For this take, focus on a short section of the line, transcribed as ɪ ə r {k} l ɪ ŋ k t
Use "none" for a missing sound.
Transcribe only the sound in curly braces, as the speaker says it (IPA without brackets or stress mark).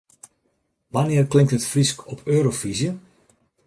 k